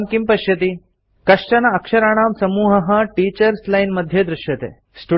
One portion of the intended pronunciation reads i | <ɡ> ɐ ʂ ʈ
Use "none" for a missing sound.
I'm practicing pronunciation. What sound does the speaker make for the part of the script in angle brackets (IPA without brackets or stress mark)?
k